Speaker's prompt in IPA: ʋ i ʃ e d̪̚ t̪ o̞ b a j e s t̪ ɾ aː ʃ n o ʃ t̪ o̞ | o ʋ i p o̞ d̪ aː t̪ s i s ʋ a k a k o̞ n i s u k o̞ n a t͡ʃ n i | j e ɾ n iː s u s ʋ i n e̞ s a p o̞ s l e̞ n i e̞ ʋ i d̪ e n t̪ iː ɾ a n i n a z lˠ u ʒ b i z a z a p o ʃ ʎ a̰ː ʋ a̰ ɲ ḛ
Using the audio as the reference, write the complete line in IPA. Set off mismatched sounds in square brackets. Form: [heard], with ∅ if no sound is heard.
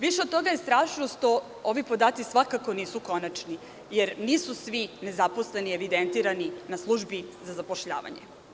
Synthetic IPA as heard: ʋ i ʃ e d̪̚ t̪ o̞ [ɡ] a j e s t̪ ɾ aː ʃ n o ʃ t̪ o̞ | o ʋ i p o̞ d̪ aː t̪ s i s ʋ a k a k o̞ n [iː] s u k o̞ n a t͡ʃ n i | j e ɾ n iː s u s ʋ i n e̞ [z] a p o̞ s l e̞ n i e̞ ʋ i d̪ e n t̪ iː ɾ a n i n a [s] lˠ u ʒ b i z a z a p o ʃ ʎ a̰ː ʋ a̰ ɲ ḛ

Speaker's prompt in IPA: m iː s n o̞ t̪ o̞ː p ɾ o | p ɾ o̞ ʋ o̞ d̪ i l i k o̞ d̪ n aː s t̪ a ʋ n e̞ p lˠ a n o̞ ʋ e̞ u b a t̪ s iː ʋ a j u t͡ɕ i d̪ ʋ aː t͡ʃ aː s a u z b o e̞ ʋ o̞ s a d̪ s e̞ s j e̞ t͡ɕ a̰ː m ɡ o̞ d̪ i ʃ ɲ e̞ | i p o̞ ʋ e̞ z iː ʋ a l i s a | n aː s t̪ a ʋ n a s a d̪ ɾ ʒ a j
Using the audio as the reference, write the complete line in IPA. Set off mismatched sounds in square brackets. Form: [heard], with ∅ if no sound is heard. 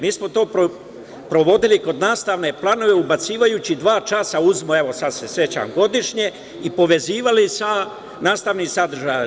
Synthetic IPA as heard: m iː s [m] o̞ t̪ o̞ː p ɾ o | p ɾ o̞ ʋ o̞ d̪ i l i k o̞ d̪ n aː s t̪ a ʋ n e̞ p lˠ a n o̞ ʋ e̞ u b a t̪ s iː ʋ a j u t͡ɕ i d̪ ʋ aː t͡ʃ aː s a u z [m] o e̞ ʋ o̞ s a d̪ s e̞ s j e̞ t͡ɕ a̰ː m ɡ o̞ d̪ i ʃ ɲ e̞ | i p o̞ ʋ e̞ z iː ʋ a l i s a | n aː s t̪ a ʋ n [i] s a d̪ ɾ ʒ a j

